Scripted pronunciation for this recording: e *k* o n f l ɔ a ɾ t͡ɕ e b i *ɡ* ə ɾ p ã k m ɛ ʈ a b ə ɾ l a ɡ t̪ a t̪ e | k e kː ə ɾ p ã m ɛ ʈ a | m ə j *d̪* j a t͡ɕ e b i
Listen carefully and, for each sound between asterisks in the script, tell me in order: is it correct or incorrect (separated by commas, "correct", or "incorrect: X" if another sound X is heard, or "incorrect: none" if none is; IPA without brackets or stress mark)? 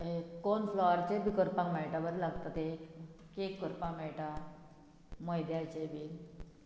correct, incorrect: k, correct